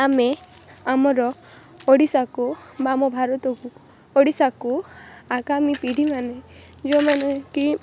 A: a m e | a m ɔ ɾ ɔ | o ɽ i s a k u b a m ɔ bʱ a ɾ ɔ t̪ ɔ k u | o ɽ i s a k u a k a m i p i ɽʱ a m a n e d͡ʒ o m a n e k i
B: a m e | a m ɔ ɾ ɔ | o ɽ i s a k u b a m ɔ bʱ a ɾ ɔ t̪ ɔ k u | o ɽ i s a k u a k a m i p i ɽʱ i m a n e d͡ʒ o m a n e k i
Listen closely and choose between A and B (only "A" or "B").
B